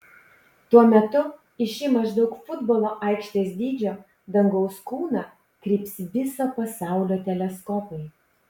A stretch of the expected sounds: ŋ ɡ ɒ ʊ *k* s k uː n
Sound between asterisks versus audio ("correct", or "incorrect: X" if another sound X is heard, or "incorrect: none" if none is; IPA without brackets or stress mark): incorrect: none